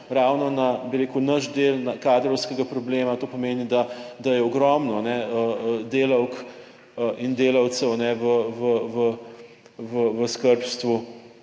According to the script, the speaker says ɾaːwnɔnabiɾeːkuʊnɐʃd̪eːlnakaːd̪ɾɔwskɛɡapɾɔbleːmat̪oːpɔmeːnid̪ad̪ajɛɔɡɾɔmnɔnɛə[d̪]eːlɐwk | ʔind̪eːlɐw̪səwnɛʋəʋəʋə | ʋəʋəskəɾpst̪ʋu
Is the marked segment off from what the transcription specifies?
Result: no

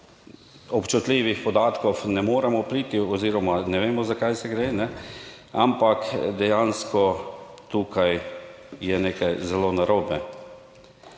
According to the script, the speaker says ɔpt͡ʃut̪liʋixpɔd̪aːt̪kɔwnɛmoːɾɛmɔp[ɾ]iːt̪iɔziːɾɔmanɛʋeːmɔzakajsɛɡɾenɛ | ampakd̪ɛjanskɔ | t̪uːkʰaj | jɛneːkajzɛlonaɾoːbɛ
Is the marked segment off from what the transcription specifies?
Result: no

